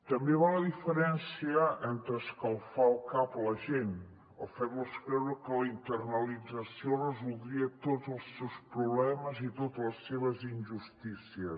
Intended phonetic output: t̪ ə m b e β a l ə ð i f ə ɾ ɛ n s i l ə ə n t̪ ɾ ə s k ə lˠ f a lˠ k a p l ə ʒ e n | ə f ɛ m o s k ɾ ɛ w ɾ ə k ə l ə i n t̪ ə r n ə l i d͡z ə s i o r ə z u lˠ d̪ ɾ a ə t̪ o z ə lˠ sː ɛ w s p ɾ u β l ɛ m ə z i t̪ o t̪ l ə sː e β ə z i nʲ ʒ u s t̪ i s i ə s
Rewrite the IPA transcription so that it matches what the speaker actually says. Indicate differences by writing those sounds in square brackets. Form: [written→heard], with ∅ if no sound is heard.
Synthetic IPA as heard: t̪ ə m b e β a l ə ð i f ə ɾ ɛ n s i [l→∅] ə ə n t̪ ɾ ə s k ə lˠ f a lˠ k a p l ə ʒ e n | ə f ɛ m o s k ɾ ɛ w ɾ ə k ə l ə i n t̪ ə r n ə l i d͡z ə s i o r ə z u lˠ d̪ ɾ [a→i] ə t̪ o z ə lˠ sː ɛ w s p ɾ u β l ɛ m ə z i t̪ o t̪ l ə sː e β ə z i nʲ ʒ u s t̪ i s i ə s